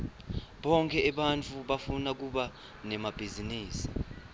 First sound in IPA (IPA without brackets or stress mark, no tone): ɓ